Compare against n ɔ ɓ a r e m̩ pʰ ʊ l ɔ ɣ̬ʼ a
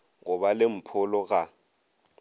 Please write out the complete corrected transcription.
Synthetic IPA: ŋ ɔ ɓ a l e m̩ pʰ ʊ l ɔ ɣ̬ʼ a